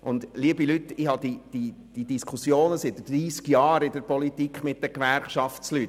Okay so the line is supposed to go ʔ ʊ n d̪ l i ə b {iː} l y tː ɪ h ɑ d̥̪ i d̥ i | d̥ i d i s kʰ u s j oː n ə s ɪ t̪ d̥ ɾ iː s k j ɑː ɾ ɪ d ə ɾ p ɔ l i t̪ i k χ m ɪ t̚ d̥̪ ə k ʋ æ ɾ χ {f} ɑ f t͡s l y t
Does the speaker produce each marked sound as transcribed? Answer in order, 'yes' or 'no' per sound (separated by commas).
no, no